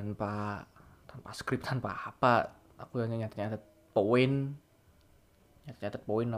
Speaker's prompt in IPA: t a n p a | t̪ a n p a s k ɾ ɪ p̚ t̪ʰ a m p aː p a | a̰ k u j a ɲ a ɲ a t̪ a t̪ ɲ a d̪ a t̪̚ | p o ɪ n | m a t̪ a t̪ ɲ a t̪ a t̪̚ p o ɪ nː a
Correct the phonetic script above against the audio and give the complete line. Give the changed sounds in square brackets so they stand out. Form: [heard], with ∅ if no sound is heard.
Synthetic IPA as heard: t a n p a | t̪ a n p a s k ɾ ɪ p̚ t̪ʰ a [n] p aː p a | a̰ k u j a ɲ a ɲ a t̪ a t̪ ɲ a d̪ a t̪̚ | p o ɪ n | [ɲ] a t̪ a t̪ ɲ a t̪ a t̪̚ p o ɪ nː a